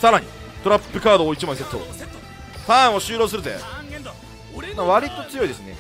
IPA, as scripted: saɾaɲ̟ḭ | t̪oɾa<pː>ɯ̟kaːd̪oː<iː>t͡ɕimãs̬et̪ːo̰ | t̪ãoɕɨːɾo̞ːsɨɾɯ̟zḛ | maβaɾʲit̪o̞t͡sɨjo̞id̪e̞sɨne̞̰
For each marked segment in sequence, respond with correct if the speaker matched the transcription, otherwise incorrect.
correct, incorrect

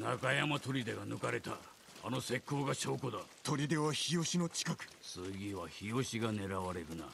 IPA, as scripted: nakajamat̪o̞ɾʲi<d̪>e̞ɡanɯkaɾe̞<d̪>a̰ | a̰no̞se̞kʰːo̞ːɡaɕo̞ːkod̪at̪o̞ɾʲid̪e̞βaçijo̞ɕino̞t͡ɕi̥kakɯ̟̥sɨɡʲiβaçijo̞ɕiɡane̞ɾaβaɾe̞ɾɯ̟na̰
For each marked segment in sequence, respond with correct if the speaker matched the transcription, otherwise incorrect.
correct, incorrect

